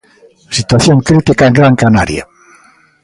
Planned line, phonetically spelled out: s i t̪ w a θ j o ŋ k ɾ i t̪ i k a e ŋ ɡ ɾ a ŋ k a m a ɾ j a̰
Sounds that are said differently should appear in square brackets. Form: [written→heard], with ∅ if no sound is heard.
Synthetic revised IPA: s i t̪ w a θ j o ŋ k ɾ i t̪ i k a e ŋ ɡ ɾ a ŋ k a [m→n] a ɾ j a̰